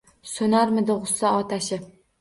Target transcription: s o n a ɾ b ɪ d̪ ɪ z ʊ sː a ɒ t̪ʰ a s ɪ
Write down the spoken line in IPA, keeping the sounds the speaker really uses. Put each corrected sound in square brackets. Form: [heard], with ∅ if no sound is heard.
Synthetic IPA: s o n a ɾ [m] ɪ d̪ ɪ [ʁ] ʊ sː a ɒ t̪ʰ a [ʃ] ɪ